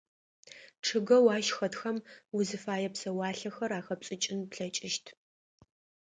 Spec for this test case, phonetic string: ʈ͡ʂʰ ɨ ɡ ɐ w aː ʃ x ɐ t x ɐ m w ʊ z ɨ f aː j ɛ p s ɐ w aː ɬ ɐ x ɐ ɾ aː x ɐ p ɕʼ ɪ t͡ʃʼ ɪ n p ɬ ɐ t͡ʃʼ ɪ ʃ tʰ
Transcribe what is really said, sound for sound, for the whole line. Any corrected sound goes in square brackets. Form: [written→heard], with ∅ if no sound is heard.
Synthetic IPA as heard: ʈ͡ʂʰ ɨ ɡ ɐ w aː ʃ x ɐ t x ɐ m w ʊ z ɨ f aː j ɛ p s ɐ w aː ɬ ɐ x ɐ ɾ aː x ɐ p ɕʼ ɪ t͡ʃʼ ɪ n p ɬ ɐ t͡ʃʼ ɪ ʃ tʰ